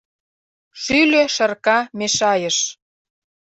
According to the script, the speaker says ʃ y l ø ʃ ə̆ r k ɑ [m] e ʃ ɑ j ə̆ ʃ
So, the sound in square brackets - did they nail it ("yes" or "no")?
yes